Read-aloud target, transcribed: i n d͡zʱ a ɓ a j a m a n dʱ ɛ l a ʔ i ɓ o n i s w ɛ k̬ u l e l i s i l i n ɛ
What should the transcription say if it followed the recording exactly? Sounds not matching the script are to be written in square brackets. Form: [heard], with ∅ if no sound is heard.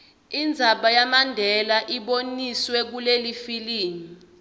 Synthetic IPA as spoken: i n d͡zʱ a ɓ a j a m a n dʱ ɛ l a ʔ i ɓ o n i s w ɛ k̬ u l e l i [f] i l [iː] n [i]